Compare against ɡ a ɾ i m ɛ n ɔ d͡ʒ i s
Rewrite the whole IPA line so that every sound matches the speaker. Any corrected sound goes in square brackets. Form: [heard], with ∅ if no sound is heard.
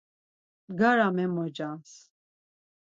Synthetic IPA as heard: ɡ a ɾ [a] m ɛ [m] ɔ d͡ʒ [a] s